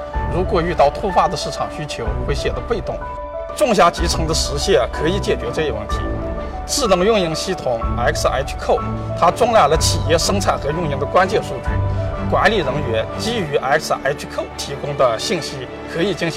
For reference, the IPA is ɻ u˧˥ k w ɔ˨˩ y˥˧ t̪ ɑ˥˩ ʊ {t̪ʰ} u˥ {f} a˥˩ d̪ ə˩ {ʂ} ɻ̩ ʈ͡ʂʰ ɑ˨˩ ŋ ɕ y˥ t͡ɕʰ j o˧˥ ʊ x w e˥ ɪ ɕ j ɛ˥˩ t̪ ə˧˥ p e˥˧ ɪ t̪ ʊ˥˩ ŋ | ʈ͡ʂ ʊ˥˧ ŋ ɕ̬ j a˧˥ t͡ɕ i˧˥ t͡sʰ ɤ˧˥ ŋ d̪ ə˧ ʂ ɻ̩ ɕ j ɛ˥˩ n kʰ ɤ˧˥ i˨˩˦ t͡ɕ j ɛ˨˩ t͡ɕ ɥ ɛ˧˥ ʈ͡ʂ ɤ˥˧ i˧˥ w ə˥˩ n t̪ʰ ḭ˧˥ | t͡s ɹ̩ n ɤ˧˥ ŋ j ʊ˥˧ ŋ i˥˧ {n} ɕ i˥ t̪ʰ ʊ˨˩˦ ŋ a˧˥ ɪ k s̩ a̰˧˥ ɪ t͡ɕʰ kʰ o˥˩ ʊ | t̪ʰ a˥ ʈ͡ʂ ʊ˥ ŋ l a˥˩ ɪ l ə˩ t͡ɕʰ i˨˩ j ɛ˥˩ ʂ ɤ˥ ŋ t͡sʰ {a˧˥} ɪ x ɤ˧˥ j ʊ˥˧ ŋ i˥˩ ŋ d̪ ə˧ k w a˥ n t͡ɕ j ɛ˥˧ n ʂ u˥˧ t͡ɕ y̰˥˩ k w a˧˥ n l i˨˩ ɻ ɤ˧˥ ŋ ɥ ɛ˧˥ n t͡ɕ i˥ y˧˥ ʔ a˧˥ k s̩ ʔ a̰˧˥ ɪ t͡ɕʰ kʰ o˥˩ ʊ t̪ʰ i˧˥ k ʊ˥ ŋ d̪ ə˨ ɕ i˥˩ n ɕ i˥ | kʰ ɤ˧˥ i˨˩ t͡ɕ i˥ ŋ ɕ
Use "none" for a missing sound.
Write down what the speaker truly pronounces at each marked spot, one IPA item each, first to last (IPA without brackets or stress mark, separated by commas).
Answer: t̪ʰ, f, ʂ, ŋ, a˥˩